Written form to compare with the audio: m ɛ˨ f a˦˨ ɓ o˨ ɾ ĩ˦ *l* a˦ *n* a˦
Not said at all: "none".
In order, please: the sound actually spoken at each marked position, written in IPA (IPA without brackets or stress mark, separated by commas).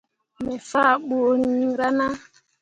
ɾ, n